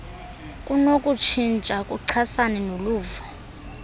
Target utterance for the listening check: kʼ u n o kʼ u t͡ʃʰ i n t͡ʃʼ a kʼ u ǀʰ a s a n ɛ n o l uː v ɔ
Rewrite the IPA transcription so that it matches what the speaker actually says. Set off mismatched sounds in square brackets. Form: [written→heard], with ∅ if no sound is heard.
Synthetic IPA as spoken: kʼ u n o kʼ u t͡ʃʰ i n t͡ʃʼ a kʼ u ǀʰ a s a n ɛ n o l uː v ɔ